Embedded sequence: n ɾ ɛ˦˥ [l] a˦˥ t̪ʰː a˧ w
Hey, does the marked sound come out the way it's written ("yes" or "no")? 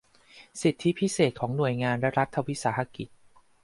no